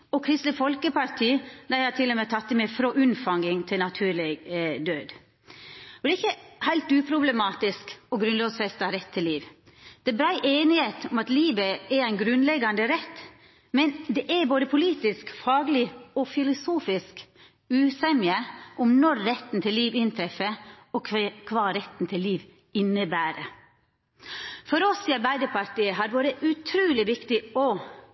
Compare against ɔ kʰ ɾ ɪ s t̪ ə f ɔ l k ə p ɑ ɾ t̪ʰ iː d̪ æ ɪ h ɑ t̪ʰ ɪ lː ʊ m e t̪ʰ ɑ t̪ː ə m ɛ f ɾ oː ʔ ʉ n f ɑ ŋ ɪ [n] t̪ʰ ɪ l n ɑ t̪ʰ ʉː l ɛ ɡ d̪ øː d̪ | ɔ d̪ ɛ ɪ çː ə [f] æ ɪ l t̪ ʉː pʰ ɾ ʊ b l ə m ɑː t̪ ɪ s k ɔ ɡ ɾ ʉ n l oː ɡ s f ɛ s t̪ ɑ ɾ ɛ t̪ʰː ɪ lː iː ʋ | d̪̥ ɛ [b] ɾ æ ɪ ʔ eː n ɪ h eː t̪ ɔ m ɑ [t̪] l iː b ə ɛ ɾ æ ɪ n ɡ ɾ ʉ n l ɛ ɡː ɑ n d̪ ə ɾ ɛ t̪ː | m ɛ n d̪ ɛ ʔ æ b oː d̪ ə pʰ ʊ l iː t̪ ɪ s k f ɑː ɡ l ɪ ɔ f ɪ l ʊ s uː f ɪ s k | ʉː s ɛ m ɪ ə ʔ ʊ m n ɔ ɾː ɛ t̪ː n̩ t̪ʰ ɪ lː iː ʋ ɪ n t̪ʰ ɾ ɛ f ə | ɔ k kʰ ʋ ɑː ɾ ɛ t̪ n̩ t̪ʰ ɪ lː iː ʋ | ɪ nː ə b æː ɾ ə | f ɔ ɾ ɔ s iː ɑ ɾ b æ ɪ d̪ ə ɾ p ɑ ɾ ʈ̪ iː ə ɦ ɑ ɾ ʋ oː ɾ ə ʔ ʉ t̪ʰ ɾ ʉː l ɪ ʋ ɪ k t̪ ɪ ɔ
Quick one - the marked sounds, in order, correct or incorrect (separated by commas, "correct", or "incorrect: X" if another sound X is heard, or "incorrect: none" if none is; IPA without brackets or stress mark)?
incorrect: ŋ, incorrect: h, correct, correct